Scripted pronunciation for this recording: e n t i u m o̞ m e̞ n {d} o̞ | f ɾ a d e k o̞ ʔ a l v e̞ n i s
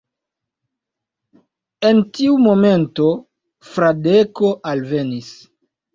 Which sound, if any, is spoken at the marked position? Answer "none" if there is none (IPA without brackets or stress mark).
t